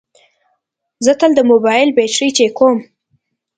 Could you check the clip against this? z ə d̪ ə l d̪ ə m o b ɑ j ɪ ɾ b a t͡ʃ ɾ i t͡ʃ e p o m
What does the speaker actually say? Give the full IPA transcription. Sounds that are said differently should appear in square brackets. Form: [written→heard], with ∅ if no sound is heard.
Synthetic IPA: z ə [d̪→t̪] ə l d̪ ə m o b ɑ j ɪ [ɾ→l] b [a→e] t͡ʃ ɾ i t͡ʃ e [p→k] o m